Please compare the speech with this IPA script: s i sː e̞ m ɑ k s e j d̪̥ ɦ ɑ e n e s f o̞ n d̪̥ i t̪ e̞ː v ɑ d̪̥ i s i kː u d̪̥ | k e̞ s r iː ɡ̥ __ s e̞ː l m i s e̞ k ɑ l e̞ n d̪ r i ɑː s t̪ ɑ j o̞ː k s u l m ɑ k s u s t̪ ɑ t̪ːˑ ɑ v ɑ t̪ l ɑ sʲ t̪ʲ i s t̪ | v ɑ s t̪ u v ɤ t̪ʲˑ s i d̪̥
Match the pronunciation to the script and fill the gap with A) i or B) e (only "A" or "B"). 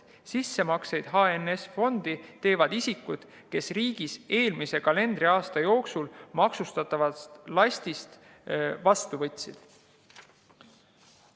A